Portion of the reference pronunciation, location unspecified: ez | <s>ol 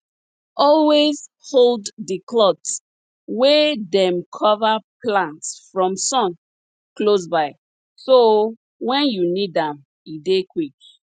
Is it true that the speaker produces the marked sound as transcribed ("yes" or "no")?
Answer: no